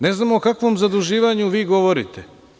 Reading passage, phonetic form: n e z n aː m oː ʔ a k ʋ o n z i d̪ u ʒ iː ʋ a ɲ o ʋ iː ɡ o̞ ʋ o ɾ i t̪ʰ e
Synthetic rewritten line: n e z n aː m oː k a k ʋ o m z a d̪ u ʒ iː ʋ a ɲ u ʋ iː ɡ o̞ ʋ o ɾ i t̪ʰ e